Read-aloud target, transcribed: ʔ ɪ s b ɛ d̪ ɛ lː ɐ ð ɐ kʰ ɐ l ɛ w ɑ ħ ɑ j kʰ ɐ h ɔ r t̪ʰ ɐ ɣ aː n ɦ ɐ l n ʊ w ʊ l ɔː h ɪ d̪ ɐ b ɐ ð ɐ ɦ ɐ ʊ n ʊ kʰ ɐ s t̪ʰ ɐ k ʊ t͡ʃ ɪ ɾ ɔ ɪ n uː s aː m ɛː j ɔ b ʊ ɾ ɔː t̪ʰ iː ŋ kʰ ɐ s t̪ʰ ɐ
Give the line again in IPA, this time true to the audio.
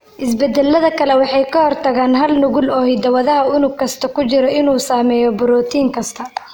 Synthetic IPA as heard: ʔ ɪ s b ɛ d̪ ɛ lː ɐ ð ɐ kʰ ɐ l ɛ w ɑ ħ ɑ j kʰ ɐ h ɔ r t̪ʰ ɐ ɣ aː n ɦ ɐ l n ʊ ɣ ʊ l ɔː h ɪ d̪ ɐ w ɐ ð ɐ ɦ ɐ ʊ n ʊ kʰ ɐ s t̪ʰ ɐ k ʊ t͡ʃ ɪ ɾ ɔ ɪ n uː s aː m ɛː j ɔ b ʊ ɾ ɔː t̪ʰ iː ŋ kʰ ɐ s t̪ʰ ɐ

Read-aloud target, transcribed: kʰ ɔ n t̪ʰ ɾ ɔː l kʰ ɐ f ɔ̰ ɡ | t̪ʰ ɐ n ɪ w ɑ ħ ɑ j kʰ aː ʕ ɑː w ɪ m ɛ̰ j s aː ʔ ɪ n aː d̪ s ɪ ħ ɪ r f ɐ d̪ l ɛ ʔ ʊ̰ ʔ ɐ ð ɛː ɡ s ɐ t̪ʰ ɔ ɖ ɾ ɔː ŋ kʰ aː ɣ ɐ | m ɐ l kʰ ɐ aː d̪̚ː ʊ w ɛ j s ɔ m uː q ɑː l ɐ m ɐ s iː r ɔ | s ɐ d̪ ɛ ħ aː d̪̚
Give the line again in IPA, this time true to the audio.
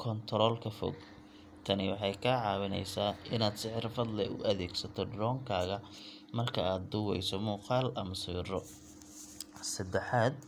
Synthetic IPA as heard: kʰ ɔ n t̪ʰ ɾ ɔː l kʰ ɐ f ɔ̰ ɡ | t̪ʰ ɐ n ɪ w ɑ ħ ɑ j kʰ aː ʕ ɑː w ɪ n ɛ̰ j s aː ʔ ɪ n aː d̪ s ɪ ħ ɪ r f ɐ d̪ l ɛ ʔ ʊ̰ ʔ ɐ ð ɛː ɡ s ɐ t̪ʰ ɔ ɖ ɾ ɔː ŋ kʰ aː ɣ ɐ | m ɐ r kʰ ɐ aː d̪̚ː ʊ w ɛ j s ɔ m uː q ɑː l ɐ m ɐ s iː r ɔ | s ɐ d̪ ɛ ħ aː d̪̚

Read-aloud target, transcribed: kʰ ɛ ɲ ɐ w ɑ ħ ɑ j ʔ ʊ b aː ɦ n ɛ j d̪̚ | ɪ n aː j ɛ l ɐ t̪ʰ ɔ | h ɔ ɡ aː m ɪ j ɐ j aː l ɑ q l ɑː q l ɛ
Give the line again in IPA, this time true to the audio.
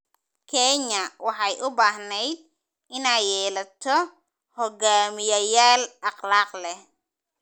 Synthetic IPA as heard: kʰ ɛ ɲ ɐ w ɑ ħ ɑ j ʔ ʊ b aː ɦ n ɛ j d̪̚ | ɪ n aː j ɛː l ɐ t̪ʰ ɔ | h ɔ ɡ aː m ɪ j ɐ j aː l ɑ q l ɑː q l ɛ

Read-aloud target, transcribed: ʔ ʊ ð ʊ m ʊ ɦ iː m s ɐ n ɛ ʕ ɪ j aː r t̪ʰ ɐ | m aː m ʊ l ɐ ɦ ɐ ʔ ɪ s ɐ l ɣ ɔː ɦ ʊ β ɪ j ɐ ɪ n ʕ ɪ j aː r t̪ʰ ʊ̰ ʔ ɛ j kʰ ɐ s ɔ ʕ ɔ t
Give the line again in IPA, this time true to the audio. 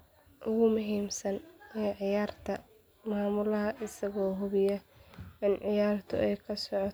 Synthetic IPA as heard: ʔ ʊ ɣ ʊ m ʊ ɦ iː m s ɐ n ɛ ʕ ɪ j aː r t̪ʰ ɐ | m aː m ʊ l ɐ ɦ ɐ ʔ ɪ s ɐ ɣ ɔː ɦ ʊ β ɪ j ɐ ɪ n ʕ ɪ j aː r t̪ʰ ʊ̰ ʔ ɛ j kʰ ɐ s ɔ ʕ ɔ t

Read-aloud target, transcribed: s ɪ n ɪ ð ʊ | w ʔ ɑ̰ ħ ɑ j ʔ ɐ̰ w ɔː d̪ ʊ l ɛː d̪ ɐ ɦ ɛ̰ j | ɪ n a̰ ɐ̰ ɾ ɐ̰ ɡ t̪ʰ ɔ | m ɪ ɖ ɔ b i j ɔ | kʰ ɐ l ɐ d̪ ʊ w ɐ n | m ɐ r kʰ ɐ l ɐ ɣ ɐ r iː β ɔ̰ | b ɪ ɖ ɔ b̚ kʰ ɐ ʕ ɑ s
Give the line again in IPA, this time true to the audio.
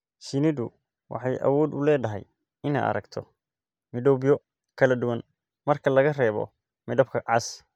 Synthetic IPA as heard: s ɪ n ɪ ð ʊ | w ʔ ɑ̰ ħ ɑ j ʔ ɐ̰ w ɔː d̪ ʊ l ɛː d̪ ɐ ɦ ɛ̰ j | ɪ n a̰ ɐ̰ ɾ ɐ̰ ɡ t̪ʰ ɔ | m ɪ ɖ ɔ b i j ɔ | kʰ ɐ l ɐ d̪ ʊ w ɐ n | m ɐ r kʰ ɐ l ɐ ɣ ɐ r ɛː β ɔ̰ | m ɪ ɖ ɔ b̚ kʰ ɐ ʕ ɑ s

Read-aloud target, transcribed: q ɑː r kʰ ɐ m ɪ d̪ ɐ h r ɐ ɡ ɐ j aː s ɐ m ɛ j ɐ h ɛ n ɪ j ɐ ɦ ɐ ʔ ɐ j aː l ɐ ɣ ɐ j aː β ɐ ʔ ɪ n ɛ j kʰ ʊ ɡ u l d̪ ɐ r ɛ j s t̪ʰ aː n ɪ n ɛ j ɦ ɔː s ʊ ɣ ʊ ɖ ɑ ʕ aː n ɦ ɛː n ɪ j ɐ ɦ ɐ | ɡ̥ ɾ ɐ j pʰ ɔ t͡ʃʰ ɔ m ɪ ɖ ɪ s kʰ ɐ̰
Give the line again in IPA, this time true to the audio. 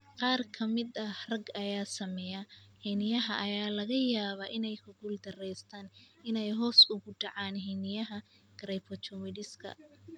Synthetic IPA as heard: q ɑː r kʰ ɐ m ɪ d̪ ɐ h r ɐ ɡ ɐ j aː s ɐ m ɛ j ɐ h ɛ n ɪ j ɐ ɦ ɐ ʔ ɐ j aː l ɐ ɣ ɐ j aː β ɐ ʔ ɪ n ɛ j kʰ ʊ ɡ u l d̪ ɐ r ɛ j s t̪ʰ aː n ɪ n ɛ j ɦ ɔː s ʊ ɣ ʊ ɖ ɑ ʕ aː n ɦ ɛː n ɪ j ɐ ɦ ɐ | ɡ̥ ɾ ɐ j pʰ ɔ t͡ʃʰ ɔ m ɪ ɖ ɪ s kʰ ɐ̰

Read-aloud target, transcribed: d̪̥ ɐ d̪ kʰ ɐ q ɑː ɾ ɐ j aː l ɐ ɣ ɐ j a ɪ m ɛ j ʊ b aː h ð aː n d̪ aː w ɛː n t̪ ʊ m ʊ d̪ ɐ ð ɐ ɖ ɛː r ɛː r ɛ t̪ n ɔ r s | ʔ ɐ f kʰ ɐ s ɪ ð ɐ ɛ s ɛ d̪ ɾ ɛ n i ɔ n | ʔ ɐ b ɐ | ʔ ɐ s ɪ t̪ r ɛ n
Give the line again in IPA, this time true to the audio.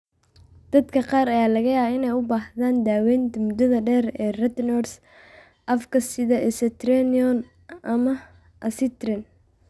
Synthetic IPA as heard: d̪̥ ɐ d̪ kʰ ɐ q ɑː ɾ ɐ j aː l ɐ ɣ ɐ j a ɪ n ɛ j ʊ b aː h ð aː n d̪ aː w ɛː n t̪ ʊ m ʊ d̪ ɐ ð ɐ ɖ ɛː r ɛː r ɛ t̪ n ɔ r s | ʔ ɐ f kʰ ɐ s ɪ ð ɐ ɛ s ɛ t̪ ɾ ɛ n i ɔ n | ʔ ɐ m ɐ | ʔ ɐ s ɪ t̪ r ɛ n

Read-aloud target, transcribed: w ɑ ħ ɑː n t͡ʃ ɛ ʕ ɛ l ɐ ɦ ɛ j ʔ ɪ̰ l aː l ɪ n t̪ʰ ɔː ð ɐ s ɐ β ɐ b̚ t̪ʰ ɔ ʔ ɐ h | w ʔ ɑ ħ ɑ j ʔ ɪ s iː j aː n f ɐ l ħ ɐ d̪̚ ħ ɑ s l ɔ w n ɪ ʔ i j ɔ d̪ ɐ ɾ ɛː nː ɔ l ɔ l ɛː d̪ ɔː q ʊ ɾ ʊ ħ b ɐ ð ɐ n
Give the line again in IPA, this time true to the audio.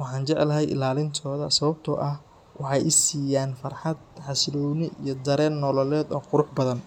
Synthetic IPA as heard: w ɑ ħ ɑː n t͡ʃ ɛ ʕ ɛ l ɐ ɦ ɛ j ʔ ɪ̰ l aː l ɪ n t̪ʰ ɔː ð ɐ s ɐ β ɐ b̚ t̪ʰ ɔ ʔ ɐ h | w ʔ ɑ ħ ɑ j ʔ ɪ s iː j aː n f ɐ r ħ ɑ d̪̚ ħ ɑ s l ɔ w n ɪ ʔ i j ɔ d̪ ɐ ɾ ɛː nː ɔ l ɔ l ɛː d̪ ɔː q ʊ ɾ ʊ ħ b ɐ ð ɐ n

